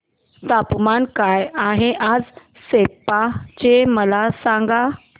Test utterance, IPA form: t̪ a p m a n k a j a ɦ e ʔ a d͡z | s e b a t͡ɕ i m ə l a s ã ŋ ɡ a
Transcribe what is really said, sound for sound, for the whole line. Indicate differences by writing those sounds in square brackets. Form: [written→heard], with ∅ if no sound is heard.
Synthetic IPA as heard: t̪ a p m a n k a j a ɦ e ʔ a d͡z | s e [b→p] a t͡ɕ [i→e] m ə l a s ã ŋ ɡ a

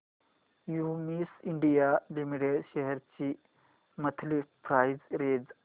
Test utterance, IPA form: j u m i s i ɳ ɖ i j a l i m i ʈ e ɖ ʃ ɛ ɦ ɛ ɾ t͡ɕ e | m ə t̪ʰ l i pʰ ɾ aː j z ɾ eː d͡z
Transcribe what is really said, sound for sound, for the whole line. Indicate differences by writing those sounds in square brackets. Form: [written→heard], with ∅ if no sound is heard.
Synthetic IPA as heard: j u m i s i ɳ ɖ i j a l i m i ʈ e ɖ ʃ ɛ ɦ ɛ ɾ t͡ɕ [e→i] | m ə t̪ʰ l i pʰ ɾ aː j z ɾ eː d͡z

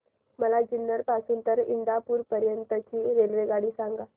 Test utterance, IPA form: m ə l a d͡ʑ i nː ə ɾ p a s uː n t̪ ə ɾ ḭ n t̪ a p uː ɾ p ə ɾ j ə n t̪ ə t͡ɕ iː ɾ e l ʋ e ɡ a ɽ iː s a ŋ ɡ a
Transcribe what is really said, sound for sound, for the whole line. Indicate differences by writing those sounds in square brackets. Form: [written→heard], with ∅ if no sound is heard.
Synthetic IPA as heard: m ə l a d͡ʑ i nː ə ɾ p a s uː n t̪ ə ɾ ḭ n [t̪→d̪] a p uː ɾ p ə ɾ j ə n t̪ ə t͡ɕ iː ɾ e l ʋ e ɡ a ɽ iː s a ŋ ɡ a

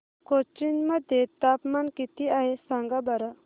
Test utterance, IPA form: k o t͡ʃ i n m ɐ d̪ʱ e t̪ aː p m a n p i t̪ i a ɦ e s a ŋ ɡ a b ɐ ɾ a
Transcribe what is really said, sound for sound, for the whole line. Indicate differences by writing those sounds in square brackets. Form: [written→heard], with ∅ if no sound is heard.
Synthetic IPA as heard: k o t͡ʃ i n m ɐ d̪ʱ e t̪ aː p m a n [p→k] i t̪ i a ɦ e s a ŋ ɡ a b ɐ ɾ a

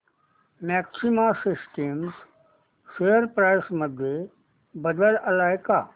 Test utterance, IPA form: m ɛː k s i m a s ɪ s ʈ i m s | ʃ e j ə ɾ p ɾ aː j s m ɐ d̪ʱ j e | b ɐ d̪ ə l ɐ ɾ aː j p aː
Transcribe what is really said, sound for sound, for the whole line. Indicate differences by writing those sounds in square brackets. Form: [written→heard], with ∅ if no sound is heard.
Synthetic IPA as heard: m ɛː k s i m a s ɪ s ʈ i m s | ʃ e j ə ɾ p ɾ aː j s m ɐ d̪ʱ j e | b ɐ d̪ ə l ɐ [ɾ→l] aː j [p→k] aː

